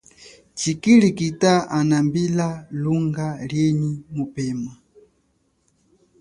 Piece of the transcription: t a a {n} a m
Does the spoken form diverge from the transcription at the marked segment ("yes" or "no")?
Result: no